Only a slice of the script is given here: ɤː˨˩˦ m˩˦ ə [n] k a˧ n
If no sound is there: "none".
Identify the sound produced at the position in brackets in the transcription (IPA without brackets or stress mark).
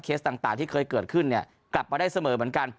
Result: n